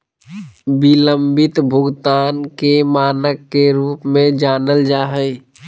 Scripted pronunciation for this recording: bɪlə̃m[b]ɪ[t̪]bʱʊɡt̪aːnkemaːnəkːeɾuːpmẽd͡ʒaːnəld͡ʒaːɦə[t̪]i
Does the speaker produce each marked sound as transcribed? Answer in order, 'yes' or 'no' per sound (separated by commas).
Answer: yes, yes, no